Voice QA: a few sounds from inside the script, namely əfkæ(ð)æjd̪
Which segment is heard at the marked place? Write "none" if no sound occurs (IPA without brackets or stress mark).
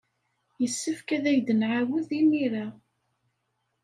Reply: ð